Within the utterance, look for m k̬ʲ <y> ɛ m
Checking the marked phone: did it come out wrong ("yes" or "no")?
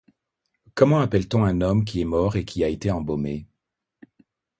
yes